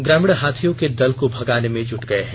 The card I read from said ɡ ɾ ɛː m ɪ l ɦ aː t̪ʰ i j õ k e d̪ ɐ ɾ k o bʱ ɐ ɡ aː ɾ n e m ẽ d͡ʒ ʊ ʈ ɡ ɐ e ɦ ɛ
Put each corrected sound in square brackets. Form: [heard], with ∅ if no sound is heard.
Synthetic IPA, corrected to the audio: ɡ ɾ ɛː m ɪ [ɽ] ɦ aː t̪ʰ i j õ k e d̪ ɐ [l] k o bʱ ɐ ɡ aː [∅] n e m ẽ d͡ʒ ʊ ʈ ɡ ɐ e ɦ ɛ

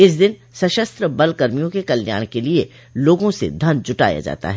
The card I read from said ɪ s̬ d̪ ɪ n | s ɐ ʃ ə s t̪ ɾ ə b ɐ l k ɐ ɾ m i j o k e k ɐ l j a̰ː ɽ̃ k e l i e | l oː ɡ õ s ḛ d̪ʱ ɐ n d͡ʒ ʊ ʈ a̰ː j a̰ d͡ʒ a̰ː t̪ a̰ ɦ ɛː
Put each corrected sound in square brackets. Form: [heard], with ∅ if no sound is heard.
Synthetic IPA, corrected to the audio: ɪ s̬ d̪ ɪ n | s ɐ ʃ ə s t̪ ɾ ə b ɐ l k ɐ ɾ m i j [õ] k e k ɐ l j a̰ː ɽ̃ k e l i e | l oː ɡ õ s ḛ d̪ʱ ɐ n d͡ʒ ʊ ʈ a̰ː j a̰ d͡ʒ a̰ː t̪ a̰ ɦ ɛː

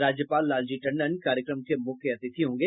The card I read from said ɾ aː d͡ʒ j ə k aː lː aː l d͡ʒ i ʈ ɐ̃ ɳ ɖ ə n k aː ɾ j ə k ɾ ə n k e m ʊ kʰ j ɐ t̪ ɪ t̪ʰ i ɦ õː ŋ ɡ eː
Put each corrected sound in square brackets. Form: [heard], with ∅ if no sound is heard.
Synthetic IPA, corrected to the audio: ɾ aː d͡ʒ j ə [p] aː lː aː l d͡ʒ i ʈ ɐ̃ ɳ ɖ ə n k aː ɾ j ə k ɾ ə [m] k e m ʊ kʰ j ɐ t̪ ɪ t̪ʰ i ɦ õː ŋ ɡ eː

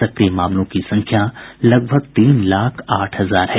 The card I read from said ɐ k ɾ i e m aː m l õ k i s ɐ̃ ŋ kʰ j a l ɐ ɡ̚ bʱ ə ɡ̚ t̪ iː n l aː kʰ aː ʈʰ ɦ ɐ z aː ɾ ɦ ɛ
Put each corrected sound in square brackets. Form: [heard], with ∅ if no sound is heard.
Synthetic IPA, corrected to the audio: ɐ k ɾ i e m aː m l õ k i s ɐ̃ ŋ kʰ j a l ɐ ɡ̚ bʱ ə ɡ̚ t̪ iː n l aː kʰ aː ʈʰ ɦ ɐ z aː ɾ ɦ ɛ

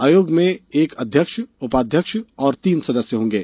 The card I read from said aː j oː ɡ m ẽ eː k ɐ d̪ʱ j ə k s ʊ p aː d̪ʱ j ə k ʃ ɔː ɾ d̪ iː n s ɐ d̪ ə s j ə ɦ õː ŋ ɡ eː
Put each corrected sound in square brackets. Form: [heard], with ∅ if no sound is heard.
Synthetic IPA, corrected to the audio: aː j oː ɡ m ẽ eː k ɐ d̪ʱ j ə k [ʃ] ʊ p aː d̪ʱ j ə k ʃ ɔː ɾ [t̪] iː n s ɐ d̪ ə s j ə ɦ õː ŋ ɡ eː

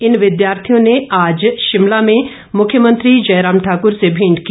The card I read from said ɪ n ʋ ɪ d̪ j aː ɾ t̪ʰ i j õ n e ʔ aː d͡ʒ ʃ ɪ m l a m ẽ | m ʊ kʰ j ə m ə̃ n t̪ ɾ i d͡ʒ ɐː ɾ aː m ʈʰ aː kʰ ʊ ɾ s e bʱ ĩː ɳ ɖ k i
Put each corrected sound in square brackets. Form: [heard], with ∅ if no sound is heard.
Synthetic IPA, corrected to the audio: ɪ n ʋ ɪ d̪ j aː ɾ t̪ʰ i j õ n e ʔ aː d͡ʒ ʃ ɪ m l a m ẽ | m ʊ kʰ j ə m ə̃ n t̪ ɾ i d͡ʒ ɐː ɾ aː m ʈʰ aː [k] ʊ ɾ s e bʱ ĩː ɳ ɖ k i

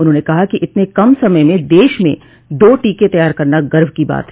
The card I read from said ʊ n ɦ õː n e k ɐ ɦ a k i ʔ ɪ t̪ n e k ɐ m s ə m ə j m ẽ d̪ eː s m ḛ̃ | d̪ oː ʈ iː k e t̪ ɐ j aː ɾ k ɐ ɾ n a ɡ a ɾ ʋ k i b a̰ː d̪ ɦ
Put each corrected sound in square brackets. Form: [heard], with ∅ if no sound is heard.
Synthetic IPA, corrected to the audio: ʊ n ɦ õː n e k ɐ ɦ a k i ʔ ɪ t̪ n e k ɐ m s [ɐ] m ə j m ẽ d̪ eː [ʃ] m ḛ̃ | d̪ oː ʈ iː k e t̪ ɐ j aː ɾ k ɐ ɾ n a ɡ [ɐ] ɾ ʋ k i b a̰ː [t̪] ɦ

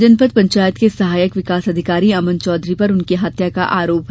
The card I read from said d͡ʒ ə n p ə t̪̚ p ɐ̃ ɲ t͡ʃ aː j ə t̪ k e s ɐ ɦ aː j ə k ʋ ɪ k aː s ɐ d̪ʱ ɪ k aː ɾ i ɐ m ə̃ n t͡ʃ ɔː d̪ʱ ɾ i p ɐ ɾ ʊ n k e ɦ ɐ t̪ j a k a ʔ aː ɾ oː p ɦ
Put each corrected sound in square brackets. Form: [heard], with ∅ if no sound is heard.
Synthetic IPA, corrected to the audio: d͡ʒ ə n p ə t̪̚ p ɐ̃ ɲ t͡ʃ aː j ə t̪ k e s ɐ ɦ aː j ə k ʋ ɪ k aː s ɐ d̪ʱ ɪ k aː ɾ i ɐ m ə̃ n t͡ʃ ɔː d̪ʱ ɾ i p ɐ ɾ ʊ n k e ɦ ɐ t̪ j a k a ʔ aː ɾ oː p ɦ

